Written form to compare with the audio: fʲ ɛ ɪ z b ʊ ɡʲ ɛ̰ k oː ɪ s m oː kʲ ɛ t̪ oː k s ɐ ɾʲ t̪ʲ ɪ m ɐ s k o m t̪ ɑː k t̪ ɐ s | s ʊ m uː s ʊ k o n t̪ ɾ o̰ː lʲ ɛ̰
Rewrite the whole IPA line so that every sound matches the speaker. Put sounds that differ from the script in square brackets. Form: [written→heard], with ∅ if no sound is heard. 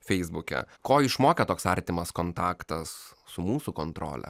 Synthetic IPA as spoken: fʲ ɛ ɪ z b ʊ [ɡʲ→kʲ] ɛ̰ k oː ɪ [s→ʃ] m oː kʲ ɛ t̪ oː k s ɐ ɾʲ t̪ʲ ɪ m ɐ s k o [m→n] t̪ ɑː k t̪ ɐ s | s ʊ m uː s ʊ k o n t̪ ɾ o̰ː lʲ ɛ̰